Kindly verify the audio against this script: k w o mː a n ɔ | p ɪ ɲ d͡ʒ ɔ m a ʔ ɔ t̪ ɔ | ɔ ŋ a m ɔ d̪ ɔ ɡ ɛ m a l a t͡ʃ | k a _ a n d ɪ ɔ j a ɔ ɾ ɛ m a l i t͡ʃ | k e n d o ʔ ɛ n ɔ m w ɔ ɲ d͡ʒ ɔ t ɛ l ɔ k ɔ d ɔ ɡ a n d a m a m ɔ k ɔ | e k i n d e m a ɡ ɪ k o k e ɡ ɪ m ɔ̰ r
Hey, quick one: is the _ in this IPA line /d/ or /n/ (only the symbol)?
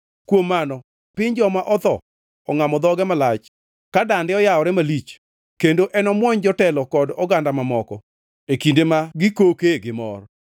d